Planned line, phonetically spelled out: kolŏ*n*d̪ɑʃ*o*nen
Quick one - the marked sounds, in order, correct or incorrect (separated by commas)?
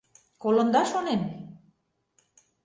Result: correct, correct